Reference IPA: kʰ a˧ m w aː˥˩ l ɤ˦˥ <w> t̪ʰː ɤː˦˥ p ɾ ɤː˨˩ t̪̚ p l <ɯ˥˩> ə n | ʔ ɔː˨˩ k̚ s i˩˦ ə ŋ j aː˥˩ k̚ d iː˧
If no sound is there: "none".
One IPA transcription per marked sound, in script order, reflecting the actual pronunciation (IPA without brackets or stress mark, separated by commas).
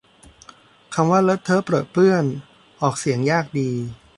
none, ɯ˥˩